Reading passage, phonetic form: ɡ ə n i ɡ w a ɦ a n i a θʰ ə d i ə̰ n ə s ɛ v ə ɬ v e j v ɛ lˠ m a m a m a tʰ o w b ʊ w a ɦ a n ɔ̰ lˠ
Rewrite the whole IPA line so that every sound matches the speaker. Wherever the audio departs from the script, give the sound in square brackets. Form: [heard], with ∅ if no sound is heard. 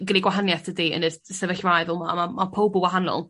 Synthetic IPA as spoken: ɡ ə n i ɡ w a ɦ a n [j] a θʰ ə d i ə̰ n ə s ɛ v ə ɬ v [a] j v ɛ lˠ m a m a m a [pʰ] o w b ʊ w a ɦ a n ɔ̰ lˠ